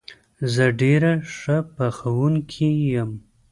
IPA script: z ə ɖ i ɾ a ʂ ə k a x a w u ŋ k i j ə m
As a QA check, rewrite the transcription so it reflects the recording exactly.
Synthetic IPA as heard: z ə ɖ e ɾ a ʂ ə p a x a w u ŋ kʰ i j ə m